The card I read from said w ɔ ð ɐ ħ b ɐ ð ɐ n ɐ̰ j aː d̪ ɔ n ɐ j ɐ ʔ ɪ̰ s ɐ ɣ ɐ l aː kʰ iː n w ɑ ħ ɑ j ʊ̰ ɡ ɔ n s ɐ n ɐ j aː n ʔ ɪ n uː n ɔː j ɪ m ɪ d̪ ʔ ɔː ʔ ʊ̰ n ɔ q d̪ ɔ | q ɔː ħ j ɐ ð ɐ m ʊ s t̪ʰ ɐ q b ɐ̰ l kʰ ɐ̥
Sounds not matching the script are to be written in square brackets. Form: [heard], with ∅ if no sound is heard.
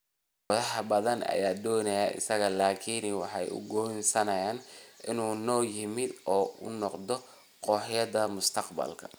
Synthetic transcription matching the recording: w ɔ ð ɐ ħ b ɐ ð ɐ n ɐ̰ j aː d̪ [ɔː] n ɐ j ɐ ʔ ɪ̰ s ɐ ɣ ɐ l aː kʰ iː n w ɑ ħ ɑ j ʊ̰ ɡ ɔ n s ɐ n ɐ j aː n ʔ ɪ n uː n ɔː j ɪ m ɪ d̪ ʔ ɔː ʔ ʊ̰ n ɔ q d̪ ɔ | q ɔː ħ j ɐ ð ɐ m ʊ s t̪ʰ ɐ q b ɐ̰ l kʰ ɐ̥